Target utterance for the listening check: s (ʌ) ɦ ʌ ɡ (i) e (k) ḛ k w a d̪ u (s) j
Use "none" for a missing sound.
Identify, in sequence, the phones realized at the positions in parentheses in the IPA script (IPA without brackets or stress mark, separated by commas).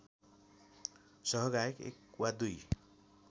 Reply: ʌ, a, k, none